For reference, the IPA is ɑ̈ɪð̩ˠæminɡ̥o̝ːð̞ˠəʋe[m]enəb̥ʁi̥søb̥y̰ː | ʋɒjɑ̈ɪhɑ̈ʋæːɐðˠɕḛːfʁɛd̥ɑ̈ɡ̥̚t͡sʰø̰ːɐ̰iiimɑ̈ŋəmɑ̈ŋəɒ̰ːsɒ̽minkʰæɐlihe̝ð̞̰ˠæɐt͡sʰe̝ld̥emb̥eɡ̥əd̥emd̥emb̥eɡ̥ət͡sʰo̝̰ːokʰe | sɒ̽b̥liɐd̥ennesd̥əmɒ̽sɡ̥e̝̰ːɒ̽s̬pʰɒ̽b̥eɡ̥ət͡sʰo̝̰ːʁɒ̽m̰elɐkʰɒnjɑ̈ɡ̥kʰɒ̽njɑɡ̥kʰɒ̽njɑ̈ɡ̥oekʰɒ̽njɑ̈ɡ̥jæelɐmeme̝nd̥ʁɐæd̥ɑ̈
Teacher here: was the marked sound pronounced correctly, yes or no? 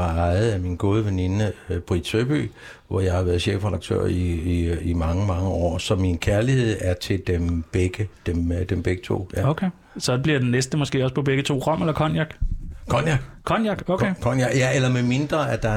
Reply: no